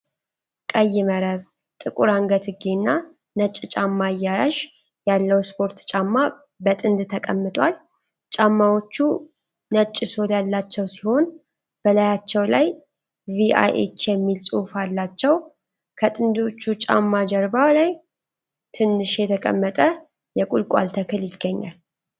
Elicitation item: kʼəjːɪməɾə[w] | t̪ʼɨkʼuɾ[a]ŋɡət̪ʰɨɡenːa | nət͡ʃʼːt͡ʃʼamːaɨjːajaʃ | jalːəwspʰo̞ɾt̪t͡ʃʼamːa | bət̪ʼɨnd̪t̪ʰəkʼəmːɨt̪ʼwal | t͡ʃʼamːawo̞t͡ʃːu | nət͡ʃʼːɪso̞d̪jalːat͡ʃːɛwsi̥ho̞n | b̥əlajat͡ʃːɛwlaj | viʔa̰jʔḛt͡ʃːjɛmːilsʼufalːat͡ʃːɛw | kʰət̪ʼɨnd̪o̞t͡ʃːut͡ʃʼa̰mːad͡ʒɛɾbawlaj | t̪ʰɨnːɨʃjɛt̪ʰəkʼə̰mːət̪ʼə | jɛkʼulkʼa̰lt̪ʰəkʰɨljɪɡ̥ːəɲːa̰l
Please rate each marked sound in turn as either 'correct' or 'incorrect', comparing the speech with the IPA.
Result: incorrect: β, correct

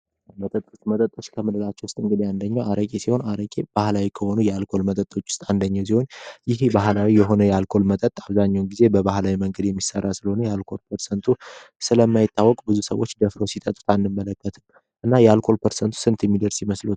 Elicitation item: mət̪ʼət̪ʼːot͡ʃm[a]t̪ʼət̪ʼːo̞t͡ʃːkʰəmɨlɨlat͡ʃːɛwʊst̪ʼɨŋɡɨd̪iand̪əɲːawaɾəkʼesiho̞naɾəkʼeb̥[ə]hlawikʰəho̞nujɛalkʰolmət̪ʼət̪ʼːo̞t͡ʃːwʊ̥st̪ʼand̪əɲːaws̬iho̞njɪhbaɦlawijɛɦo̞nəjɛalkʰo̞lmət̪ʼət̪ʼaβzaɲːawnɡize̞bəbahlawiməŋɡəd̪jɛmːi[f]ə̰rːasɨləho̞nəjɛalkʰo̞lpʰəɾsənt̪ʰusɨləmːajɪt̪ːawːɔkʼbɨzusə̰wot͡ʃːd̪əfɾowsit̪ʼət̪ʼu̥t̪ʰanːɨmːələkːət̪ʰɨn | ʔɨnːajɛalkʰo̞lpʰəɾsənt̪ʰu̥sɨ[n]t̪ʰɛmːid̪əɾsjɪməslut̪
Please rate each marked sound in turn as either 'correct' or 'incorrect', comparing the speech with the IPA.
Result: incorrect: ə, incorrect: a, incorrect: s, correct

